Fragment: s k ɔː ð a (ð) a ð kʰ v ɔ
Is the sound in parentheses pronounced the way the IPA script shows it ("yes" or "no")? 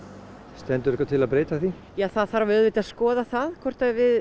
no